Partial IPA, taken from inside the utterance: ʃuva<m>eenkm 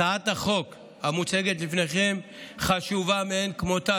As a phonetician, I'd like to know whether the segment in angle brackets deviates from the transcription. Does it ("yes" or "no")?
no